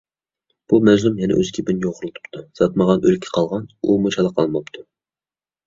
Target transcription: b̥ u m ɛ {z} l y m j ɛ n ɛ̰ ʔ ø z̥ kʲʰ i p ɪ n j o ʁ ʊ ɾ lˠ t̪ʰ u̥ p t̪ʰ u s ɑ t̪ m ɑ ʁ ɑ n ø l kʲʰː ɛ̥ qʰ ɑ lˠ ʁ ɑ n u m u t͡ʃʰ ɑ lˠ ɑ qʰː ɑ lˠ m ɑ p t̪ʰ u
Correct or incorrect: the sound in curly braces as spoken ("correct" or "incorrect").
correct